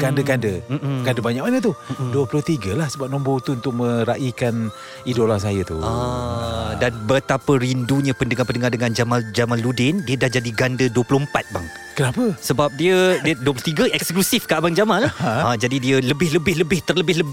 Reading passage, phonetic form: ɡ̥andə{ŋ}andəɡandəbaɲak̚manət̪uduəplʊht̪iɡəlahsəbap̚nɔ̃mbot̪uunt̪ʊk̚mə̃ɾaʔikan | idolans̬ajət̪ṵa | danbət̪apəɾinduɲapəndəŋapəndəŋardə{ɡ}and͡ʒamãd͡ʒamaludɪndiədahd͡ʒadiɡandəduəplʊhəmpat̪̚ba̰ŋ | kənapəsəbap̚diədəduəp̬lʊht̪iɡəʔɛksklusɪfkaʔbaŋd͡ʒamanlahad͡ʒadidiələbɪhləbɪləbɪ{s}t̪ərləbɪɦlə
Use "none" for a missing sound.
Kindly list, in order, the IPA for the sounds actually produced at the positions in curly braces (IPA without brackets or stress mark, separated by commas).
ɡ, ŋ, h